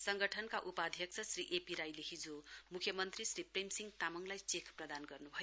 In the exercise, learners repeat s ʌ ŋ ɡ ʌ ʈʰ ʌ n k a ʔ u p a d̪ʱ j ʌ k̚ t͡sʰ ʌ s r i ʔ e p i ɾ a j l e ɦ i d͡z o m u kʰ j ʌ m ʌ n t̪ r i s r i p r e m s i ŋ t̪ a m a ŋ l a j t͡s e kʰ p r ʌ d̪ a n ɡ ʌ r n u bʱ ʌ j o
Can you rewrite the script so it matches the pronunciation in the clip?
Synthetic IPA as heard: s ʌ ŋ ɡ ʌ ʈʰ ʌ n k a ʔ u p a d̪ʱ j ʌ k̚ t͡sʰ ʌ s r i ʔ e p i ɾ a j l e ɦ i d͡z o m u kʰ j ʌ m ʌ n t̪ r i s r i p r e m s i ŋ t̪ a m ʌ ŋ l a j t͡s e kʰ p r ʌ d̪ a n ɡ ʌ r n u bʱ ʌ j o